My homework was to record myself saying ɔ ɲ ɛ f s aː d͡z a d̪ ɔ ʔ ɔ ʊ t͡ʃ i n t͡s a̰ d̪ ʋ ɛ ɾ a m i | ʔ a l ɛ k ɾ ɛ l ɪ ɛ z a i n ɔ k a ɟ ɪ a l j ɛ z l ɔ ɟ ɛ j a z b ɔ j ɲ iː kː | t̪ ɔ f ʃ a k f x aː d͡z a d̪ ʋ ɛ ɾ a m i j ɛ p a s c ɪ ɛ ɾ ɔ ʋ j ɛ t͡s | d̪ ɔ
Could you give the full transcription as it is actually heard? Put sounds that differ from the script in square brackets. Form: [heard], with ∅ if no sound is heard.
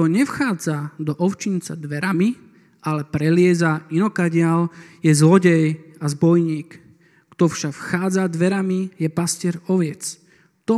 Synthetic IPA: ɔ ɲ ɛ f [x] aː d͡z a d̪ ɔ ʔ ɔ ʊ t͡ʃ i n t͡s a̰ d̪ ʋ ɛ ɾ a m i | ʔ a l ɛ [p] ɾ ɛ l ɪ ɛ z a i n ɔ k a ɟ ɪ a l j ɛ z l ɔ ɟ ɛ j a z b ɔ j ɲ iː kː | t̪ ɔ f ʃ a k f x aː d͡z a d̪ ʋ ɛ ɾ a m i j ɛ p a s c ɪ ɛ ɾ ɔ ʋ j ɛ t͡s | [t̪] ɔ